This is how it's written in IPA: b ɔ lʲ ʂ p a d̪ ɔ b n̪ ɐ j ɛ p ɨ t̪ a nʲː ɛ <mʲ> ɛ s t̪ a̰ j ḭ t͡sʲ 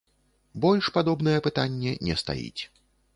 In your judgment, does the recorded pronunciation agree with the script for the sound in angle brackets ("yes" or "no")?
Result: no